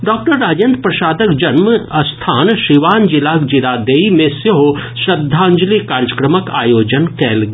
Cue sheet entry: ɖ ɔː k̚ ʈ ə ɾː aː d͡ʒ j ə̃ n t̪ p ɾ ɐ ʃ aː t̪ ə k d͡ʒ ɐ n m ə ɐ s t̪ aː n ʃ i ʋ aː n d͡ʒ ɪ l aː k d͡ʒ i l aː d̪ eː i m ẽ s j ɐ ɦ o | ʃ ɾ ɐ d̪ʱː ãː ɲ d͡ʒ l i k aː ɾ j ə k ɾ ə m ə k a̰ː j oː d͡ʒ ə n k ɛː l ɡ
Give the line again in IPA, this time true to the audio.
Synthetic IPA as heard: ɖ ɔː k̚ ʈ ə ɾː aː d͡ʒ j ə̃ n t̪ p ɾ ɐ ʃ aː d̪ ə k d͡ʒ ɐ n m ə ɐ s t̪ʰ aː n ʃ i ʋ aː n d͡ʒ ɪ l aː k d͡ʒ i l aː d̪ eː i m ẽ s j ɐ ɦ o | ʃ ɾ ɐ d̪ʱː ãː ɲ d͡ʒ l i k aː ɾ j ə k ɾ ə m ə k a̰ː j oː d͡ʒ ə n k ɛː l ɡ